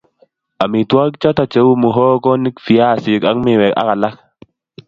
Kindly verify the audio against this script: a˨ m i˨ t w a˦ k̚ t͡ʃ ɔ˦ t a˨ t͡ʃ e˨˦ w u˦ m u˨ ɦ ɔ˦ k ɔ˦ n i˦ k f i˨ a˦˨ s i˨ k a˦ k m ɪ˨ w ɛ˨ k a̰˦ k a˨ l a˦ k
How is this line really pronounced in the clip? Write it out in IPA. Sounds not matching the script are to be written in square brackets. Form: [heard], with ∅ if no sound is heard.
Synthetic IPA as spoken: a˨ m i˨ t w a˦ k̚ t͡ʃ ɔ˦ t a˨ t͡ʃ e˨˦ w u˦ m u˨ ɦ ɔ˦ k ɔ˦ n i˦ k f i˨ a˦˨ s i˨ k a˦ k m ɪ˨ w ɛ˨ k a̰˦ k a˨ l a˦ k